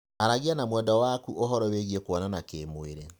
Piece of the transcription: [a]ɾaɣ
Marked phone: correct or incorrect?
correct